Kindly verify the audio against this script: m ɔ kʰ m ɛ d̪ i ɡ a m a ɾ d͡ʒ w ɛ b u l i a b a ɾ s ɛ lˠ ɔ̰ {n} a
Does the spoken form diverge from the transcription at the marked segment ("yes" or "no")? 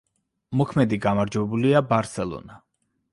no